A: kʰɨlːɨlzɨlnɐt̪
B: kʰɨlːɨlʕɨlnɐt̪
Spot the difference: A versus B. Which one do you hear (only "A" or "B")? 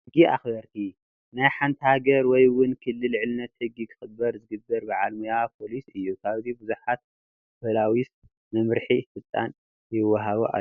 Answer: B